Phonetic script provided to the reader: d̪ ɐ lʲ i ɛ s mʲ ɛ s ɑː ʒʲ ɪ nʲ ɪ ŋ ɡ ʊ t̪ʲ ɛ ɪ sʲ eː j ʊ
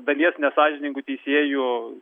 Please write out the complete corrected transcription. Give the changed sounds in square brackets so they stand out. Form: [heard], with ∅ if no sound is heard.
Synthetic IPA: d̪ ɐ lʲ i ɛ s [nʲ] ɛ s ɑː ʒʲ ɪ nʲ ɪ ŋ ɡ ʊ t̪ʲ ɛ ɪ sʲ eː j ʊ